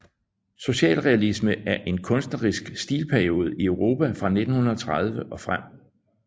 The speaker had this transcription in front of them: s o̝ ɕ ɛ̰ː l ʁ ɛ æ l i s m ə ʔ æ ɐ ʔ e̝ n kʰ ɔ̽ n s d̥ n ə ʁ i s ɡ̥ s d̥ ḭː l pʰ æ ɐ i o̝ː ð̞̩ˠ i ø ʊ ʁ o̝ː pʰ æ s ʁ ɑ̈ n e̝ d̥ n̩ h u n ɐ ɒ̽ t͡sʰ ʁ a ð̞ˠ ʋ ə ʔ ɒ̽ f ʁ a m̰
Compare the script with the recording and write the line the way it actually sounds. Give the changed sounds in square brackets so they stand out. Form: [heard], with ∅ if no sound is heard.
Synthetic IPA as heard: s o̝ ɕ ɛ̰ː l ʁ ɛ æ l i s m ə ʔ æ ɐ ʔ e̝ n kʰ ɔ̽ n s d̥ n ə ʁ i s ɡ̥ s d̥ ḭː l pʰ æ ɐ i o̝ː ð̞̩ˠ i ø ʊ ʁ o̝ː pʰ æ [f] ʁ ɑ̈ n e̝ d̥ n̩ h u n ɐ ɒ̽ t͡sʰ ʁ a ð̞ˠ ʋ ə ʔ ɒ̽ f ʁ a m̰